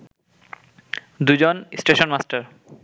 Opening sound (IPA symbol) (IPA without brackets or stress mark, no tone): d̪